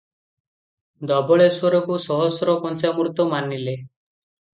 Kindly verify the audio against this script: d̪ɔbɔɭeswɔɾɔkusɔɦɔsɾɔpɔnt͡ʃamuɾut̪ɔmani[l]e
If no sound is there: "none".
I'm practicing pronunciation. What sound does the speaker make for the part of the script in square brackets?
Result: l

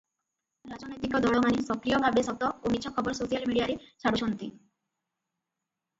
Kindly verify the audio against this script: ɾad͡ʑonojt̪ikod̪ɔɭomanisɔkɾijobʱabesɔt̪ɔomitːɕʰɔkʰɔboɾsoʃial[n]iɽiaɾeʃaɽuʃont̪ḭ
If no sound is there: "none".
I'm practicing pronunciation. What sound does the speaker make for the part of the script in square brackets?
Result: m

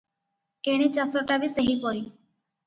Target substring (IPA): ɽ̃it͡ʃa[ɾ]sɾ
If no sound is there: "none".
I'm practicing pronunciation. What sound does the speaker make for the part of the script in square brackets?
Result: none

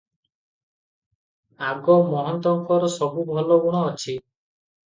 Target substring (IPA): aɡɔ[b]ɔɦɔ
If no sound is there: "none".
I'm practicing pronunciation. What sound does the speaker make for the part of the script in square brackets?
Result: m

